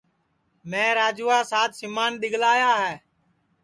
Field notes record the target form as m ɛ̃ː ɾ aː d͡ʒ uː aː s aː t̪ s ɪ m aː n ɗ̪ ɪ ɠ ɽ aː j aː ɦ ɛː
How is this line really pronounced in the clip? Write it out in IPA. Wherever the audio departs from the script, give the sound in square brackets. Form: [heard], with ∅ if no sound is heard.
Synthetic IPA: m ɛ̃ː ɾ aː d͡ʒ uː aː s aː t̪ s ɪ m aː n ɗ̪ ɪ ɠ [l] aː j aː ɦ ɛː